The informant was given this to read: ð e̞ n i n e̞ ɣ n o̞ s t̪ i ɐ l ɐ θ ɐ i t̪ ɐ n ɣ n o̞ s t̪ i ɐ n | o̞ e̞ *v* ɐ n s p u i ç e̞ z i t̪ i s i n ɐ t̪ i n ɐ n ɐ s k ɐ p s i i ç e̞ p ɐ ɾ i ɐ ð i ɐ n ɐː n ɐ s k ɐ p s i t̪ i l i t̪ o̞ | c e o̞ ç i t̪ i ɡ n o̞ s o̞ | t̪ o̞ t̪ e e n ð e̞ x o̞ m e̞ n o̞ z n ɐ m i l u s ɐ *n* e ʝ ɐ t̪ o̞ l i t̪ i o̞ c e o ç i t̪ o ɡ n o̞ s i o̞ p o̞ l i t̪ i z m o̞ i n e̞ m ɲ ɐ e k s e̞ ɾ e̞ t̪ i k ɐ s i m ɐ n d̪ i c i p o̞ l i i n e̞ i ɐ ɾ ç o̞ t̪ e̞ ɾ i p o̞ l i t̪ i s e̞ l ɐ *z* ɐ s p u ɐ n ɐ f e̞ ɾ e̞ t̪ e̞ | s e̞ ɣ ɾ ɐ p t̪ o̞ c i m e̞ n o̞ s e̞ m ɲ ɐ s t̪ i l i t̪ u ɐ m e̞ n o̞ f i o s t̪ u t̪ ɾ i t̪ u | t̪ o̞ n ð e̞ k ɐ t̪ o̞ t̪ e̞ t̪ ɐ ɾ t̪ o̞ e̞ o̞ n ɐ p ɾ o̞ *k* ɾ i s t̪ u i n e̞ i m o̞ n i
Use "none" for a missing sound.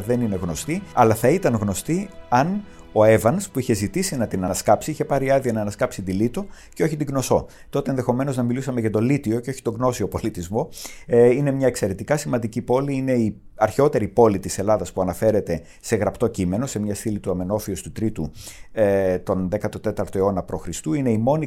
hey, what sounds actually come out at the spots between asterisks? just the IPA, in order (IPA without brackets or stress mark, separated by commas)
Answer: v, m, ð, x